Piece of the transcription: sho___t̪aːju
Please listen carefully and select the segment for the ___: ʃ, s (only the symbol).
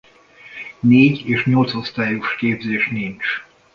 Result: s